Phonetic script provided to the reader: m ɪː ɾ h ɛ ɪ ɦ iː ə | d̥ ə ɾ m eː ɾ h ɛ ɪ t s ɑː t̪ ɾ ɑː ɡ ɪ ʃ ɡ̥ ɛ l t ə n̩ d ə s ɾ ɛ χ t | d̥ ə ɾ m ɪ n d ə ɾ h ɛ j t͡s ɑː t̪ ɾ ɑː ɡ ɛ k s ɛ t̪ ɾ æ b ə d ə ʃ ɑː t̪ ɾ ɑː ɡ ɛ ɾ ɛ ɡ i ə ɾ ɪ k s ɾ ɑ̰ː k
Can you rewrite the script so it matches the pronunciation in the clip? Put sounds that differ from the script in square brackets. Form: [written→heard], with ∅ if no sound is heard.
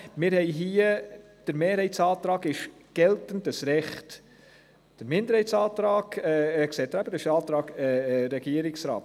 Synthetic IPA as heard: m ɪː ɾ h ɛ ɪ ɦ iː ə | d̥ ə ɾ m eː ɾ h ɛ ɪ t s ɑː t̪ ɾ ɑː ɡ ɪ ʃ ɡ̥ ɛ l t ə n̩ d ə s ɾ ɛ χ t | d̥ ə ɾ m ɪ n d ə ɾ h ɛ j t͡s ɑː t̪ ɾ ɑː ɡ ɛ k s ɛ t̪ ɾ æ b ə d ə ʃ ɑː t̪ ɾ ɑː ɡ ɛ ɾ ɛ ɡ i ə ɾ ɪ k s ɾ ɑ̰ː [k→t]